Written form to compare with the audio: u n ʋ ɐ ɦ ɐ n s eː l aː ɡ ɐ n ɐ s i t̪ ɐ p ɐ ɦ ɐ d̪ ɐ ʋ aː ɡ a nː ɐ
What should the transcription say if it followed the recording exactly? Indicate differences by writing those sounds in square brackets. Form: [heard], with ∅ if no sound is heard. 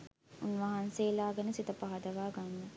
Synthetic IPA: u n ʋ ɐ ɦ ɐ n s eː l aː ɡ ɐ n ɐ s i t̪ ɐ p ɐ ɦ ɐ d̪ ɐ ʋ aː ɡ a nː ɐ